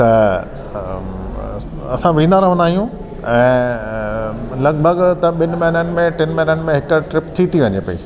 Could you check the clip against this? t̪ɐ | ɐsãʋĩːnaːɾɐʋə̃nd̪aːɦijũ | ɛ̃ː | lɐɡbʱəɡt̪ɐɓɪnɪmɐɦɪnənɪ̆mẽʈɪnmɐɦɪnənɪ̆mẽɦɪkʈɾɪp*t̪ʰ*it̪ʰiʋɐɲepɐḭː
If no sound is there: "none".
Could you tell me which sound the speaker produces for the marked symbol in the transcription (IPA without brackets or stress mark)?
t̪ʰ